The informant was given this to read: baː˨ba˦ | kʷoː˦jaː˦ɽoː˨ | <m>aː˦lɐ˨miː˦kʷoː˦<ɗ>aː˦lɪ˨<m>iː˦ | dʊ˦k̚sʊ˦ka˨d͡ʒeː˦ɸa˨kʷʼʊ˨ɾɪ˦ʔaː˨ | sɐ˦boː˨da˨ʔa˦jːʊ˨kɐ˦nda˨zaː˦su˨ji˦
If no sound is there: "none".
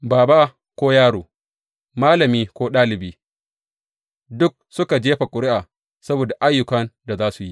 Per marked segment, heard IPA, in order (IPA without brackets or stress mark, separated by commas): m, ɗ, b